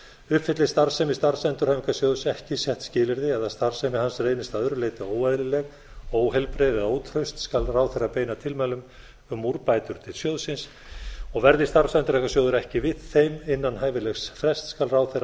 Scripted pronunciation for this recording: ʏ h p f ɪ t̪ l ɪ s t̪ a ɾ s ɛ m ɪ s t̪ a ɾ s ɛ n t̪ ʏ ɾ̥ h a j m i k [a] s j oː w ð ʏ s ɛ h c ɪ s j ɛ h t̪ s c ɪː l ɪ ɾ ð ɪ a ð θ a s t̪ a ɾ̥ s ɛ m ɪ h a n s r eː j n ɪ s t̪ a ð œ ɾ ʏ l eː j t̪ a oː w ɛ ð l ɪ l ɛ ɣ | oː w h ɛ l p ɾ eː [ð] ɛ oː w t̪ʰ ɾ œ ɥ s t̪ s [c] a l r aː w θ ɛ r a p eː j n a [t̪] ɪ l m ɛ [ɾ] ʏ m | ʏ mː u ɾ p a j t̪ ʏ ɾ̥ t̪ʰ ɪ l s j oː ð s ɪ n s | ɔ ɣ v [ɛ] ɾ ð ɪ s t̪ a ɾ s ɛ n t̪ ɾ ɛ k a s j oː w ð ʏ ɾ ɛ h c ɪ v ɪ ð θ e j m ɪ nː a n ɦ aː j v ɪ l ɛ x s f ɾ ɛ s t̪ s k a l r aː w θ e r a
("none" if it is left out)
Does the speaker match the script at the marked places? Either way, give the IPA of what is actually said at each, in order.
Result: a, ð, k, t̪ʰ, l, ɛ

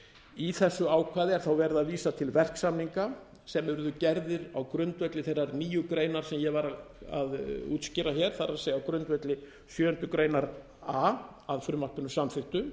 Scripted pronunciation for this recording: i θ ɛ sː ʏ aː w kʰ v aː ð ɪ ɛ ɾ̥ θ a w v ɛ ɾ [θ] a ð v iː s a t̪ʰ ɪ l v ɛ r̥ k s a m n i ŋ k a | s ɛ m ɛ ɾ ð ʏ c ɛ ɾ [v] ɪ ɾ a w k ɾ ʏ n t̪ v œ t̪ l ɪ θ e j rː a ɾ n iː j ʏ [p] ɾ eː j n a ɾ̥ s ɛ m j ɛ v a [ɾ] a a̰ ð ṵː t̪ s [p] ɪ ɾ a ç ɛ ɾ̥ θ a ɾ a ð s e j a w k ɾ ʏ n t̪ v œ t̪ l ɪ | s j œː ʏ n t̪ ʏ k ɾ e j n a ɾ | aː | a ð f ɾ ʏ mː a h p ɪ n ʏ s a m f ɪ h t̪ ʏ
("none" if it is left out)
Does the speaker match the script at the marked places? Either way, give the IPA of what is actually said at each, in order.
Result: ð, ð, k, ɾ, c

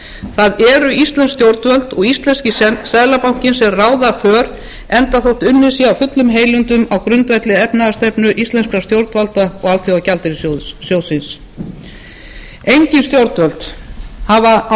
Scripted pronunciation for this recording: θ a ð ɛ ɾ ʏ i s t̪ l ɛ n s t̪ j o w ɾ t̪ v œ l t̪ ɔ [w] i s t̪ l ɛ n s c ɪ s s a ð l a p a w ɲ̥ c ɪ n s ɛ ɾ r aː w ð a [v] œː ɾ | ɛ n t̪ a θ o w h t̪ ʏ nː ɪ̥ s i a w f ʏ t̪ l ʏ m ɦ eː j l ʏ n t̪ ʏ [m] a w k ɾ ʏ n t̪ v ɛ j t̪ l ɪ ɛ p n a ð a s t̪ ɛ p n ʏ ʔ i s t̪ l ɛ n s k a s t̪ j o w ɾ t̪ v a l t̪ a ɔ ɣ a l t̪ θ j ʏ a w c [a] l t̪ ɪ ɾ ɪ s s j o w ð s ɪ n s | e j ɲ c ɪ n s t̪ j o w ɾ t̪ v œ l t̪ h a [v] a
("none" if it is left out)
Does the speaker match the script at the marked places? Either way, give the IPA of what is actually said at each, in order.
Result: ɣ, f, m, a, v

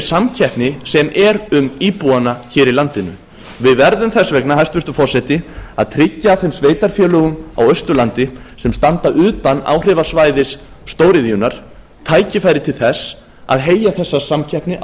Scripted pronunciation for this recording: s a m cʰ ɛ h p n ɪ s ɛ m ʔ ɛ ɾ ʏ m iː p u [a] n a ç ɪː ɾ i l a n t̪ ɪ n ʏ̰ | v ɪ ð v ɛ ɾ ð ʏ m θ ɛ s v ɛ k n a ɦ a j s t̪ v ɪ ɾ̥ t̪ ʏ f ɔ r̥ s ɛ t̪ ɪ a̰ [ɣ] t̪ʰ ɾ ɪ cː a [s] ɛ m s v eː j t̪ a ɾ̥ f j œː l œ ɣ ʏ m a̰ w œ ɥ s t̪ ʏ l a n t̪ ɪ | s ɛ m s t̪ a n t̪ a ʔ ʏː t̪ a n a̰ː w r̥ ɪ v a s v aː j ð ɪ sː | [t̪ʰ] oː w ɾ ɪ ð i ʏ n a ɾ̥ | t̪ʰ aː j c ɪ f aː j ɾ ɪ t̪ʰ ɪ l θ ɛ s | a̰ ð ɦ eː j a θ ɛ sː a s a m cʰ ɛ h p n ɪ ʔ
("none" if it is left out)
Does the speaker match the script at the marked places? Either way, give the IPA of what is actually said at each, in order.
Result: a, ð, θ, t̪

